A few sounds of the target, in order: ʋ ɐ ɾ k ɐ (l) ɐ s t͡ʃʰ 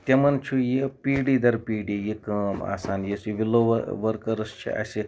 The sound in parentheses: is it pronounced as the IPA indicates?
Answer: no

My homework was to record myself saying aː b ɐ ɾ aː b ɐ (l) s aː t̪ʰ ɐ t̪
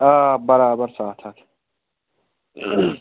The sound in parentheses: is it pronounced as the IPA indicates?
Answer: no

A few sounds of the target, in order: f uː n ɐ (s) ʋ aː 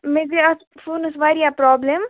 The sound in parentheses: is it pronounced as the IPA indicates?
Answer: yes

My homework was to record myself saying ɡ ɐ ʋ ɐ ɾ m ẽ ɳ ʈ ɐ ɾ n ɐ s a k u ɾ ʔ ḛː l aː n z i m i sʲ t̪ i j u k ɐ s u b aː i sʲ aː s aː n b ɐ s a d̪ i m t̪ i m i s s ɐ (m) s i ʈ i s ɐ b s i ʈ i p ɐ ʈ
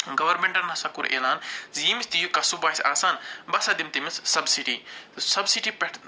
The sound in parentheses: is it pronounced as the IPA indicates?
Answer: no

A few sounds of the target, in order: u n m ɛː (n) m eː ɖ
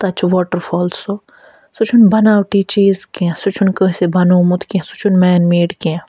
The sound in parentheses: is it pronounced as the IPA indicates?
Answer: yes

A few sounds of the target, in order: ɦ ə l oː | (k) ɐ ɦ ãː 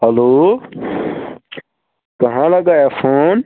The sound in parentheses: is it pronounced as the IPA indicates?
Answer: yes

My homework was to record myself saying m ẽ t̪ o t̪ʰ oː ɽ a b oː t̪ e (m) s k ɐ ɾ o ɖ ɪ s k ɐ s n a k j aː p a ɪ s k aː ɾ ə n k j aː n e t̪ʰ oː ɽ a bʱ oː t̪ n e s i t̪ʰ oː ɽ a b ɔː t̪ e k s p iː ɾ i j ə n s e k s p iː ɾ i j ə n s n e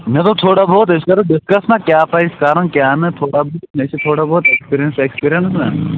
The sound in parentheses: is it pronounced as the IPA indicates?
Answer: no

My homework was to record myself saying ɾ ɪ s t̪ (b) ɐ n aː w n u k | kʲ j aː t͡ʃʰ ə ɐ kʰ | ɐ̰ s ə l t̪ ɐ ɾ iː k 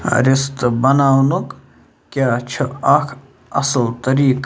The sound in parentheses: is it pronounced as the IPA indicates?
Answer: yes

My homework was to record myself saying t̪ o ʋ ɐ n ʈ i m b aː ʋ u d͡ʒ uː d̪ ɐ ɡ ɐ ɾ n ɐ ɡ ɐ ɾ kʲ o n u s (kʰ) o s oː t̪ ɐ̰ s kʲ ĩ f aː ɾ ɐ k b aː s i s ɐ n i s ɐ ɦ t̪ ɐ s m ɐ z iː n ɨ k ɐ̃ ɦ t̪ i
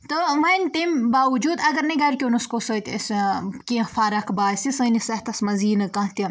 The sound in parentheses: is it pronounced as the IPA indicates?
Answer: no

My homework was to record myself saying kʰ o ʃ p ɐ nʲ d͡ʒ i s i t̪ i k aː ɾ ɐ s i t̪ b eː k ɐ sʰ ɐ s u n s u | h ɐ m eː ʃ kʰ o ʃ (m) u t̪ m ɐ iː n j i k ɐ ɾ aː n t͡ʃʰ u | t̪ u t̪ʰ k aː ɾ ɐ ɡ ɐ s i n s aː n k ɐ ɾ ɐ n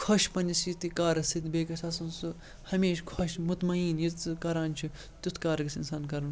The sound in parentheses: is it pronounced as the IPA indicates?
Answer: yes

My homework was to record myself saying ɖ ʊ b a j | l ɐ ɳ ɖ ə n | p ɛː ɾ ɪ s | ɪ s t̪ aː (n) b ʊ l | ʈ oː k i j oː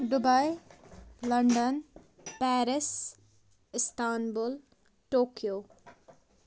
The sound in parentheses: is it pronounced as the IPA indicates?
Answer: yes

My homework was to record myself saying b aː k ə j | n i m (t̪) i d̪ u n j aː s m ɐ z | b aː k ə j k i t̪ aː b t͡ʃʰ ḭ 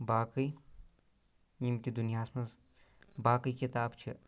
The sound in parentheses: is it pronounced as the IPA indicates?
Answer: yes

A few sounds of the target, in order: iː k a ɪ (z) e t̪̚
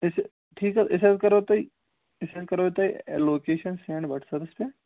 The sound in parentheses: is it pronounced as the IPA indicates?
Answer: no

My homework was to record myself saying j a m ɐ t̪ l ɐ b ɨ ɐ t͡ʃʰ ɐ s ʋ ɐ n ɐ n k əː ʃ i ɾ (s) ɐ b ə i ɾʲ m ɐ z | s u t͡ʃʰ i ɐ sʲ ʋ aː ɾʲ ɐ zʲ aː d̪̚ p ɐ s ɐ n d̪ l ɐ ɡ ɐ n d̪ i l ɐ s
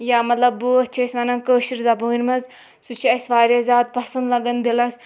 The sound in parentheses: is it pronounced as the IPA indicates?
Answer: no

